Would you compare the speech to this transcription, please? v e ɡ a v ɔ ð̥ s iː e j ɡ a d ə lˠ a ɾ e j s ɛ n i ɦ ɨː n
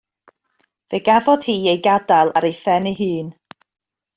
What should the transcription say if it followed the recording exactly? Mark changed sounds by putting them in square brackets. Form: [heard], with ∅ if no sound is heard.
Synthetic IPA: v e ɡ a v ɔ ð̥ [h] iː e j ɡ a d [a] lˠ a ɾ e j [θ] ɛ n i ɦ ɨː n